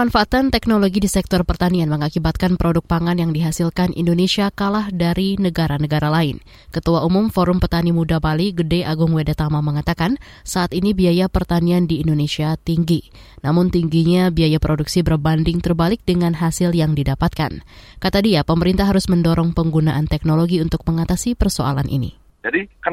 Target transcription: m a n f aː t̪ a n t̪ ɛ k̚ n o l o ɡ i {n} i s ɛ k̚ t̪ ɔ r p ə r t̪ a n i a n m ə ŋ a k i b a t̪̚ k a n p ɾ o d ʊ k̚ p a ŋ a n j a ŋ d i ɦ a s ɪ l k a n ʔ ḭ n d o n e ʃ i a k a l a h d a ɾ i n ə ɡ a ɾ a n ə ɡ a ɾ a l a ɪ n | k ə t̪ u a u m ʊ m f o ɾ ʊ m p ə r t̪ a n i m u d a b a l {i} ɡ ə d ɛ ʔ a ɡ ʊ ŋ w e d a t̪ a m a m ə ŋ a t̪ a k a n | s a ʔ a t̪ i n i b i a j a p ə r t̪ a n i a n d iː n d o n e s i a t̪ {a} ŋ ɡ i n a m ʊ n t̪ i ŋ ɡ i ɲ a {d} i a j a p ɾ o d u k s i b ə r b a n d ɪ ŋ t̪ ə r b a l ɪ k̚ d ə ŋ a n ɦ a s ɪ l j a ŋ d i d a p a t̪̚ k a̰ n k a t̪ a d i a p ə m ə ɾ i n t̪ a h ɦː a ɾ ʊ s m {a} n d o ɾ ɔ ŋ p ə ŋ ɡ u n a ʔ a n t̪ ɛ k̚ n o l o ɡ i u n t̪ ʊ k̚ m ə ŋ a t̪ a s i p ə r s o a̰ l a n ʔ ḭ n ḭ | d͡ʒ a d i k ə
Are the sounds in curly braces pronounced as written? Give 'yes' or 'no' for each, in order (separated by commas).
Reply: no, yes, no, no, no